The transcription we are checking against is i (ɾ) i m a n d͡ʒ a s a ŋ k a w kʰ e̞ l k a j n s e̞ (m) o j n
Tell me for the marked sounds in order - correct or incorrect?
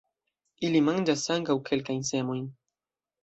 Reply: incorrect: l, correct

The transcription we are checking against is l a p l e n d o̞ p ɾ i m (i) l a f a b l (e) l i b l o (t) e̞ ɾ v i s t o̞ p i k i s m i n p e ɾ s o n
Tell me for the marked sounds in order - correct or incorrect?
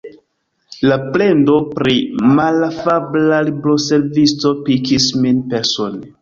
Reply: incorrect: a, incorrect: a, incorrect: s

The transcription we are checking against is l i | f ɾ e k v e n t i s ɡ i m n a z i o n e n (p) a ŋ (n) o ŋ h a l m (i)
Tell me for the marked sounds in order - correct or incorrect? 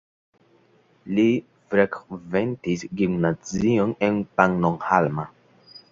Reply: correct, correct, incorrect: a

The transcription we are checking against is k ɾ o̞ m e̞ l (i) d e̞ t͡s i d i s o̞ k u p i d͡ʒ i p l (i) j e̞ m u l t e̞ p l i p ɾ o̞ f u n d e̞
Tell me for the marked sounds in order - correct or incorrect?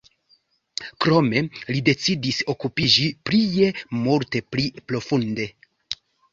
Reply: correct, correct

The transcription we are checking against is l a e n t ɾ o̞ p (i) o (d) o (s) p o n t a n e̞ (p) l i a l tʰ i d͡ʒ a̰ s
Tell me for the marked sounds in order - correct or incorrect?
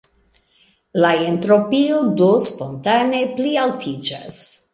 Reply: correct, correct, correct, correct

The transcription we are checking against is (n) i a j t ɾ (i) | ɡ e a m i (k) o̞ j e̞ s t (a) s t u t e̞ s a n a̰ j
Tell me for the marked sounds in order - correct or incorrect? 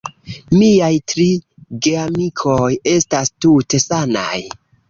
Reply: incorrect: m, correct, incorrect: kʰ, correct

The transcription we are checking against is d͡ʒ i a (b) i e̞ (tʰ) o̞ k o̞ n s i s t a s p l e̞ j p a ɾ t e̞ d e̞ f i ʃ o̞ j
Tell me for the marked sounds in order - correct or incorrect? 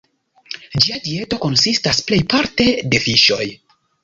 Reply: incorrect: d, incorrect: t

